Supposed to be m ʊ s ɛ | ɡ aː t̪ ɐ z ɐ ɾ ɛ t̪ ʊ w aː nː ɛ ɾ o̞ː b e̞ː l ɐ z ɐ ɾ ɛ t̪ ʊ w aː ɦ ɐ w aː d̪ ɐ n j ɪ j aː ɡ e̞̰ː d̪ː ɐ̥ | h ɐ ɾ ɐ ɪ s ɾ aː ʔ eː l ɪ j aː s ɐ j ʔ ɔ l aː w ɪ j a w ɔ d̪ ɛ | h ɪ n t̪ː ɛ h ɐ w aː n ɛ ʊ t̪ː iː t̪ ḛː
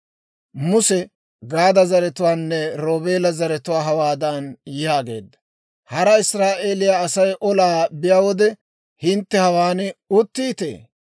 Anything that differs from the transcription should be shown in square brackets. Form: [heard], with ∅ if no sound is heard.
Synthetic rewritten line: m ʊ s ɛ | ɡ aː [d̪] ɐ z ɐ ɾ ɛ t̪ ʊ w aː nː ɛ ɾ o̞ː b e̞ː l ɐ z ɐ ɾ ɛ t̪ ʊ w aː ɦ ɐ w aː d̪ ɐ n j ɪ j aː ɡ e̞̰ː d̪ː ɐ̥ | h ɐ ɾ ɐ ɪ s ɾ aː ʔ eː l ɪ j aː s ɐ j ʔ ɔ l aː [b] ɪ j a w ɔ d̪ ɛ | h ɪ n t̪ː ɛ h ɐ w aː n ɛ ʊ t̪ː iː t̪ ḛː

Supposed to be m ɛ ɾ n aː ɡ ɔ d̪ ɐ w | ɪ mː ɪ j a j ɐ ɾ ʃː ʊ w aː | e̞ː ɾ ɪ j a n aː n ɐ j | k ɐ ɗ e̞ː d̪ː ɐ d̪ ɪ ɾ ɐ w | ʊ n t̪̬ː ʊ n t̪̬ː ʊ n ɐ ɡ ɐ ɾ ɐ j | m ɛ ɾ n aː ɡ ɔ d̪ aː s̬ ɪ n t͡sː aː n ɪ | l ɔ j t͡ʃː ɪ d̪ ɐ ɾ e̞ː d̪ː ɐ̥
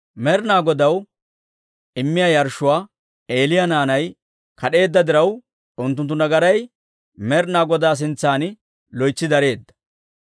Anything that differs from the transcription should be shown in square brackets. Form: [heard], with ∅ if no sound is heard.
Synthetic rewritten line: m ɛ ɾ n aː ɡ ɔ d̪ ɐ w | ɪ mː ɪ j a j ɐ ɾ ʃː ʊ w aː | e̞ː [l] ɪ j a n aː n ɐ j | k ɐ ɗ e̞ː d̪ː ɐ d̪ ɪ ɾ ɐ w | ʊ n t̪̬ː ʊ n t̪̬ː ʊ n ɐ ɡ ɐ ɾ ɐ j | m ɛ ɾ n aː ɡ ɔ d̪ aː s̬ ɪ n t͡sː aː n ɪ | l ɔ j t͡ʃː ɪ d̪ ɐ ɾ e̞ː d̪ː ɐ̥

